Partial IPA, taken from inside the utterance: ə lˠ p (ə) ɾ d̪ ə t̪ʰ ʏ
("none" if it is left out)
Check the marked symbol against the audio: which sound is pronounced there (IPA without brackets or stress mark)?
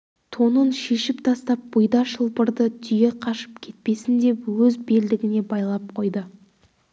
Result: ə